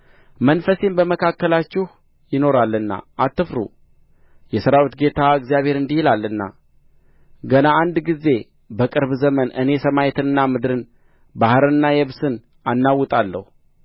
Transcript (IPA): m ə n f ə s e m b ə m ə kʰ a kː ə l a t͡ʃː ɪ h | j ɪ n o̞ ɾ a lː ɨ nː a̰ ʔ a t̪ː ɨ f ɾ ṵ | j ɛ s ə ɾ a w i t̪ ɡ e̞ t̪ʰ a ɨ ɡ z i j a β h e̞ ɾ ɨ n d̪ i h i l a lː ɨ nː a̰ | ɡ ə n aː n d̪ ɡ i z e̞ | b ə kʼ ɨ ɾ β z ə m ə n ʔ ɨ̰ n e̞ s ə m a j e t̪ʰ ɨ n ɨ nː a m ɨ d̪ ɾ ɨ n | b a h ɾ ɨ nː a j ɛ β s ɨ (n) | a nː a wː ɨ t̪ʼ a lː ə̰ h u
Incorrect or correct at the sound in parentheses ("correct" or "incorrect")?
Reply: correct